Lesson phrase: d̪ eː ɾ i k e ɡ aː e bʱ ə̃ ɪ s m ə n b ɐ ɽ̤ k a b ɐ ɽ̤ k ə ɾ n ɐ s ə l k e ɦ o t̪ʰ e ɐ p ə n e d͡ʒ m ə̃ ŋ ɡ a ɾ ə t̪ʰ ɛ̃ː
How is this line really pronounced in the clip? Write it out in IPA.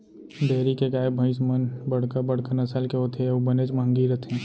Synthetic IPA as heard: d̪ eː ɾ i k e ɡ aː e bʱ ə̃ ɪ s m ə n b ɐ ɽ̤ k a b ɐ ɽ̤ k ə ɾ n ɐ s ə l k e ɦ o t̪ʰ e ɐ b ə n e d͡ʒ m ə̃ ŋ ɡ i ɾ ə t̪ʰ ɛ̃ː